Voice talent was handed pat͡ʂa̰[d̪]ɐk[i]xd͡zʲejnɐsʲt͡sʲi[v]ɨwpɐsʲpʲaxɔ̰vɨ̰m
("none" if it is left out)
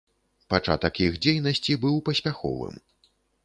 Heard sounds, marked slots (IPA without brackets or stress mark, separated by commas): t̪, i, b